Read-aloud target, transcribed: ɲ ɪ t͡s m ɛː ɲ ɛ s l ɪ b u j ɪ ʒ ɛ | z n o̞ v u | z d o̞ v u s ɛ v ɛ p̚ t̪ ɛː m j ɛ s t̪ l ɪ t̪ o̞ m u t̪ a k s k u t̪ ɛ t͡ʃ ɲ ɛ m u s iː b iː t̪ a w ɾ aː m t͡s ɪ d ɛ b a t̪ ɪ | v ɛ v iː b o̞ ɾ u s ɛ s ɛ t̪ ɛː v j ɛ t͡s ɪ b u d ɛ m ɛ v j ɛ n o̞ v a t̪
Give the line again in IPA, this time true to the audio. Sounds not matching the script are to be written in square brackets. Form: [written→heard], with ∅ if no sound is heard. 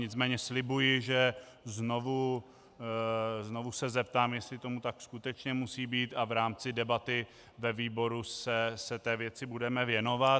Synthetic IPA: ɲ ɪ t͡s m ɛː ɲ ɛ s l ɪ b u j ɪ ʒ ɛ | z n o̞ v u | z [d→n] o̞ v u s ɛ [v→z] ɛ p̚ t̪ [ɛː→aː] m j ɛ s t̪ l ɪ t̪ o̞ m u t̪ a k s k u t̪ ɛ t͡ʃ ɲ ɛ m u s iː b iː t̪ a [w→v] ɾ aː m t͡s ɪ d ɛ b a t̪ ɪ | v ɛ v iː b o̞ ɾ u s ɛ s ɛ t̪ ɛː v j ɛ t͡s ɪ b u d ɛ m ɛ v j ɛ n o̞ v a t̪